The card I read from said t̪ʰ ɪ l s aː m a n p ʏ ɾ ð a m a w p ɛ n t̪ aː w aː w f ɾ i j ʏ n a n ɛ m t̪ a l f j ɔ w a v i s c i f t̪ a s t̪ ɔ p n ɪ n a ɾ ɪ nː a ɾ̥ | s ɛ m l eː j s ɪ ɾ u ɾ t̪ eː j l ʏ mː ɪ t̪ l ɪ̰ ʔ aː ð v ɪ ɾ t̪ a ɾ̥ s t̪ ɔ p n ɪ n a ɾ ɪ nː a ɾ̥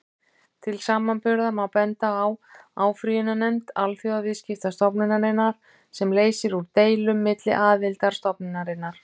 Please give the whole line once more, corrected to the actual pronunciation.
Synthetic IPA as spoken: t̪ʰ ɪ l s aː m a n p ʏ ɾ ð a m a w p ɛ n t̪ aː w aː w f ɾ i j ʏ n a n ɛ m t̪ a l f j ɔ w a v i s c ɪ f t̪ a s t̪ ɔ p n ɪ n a ɾ ɪ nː a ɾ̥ | s ɛ m l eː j s ɪ ɾ u ɾ t̪ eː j l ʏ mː ɪ t̪ l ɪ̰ ʔ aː ð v ɪ l t̪ a ɾ̥ s t̪ ɔ p n ɪ n a ɾ ɪ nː a ɾ̥